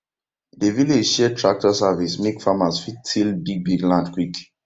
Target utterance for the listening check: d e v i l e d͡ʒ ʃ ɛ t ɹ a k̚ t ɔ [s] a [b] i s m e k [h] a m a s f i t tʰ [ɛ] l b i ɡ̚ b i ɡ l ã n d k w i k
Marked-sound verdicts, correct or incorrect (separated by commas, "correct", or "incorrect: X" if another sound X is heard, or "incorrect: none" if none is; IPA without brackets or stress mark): correct, incorrect: v, incorrect: f, incorrect: i